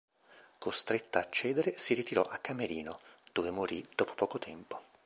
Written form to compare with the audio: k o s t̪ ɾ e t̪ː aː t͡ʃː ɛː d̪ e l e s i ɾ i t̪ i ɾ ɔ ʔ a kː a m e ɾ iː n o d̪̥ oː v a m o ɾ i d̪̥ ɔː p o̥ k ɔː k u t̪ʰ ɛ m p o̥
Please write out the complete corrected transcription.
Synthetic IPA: k o s t̪ ɾ e t̪ː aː t͡ʃː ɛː d̪ e ɾ e s i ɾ i t̪ i ɾ ɔ ʔ a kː a m e ɾ iː n o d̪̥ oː v e m o ɾ i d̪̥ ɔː p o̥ p ɔː k o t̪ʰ ɛ m p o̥